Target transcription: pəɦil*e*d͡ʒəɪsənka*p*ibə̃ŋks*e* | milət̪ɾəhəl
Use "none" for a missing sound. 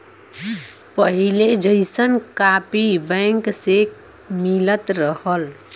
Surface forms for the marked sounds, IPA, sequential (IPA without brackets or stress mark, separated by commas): e, p, e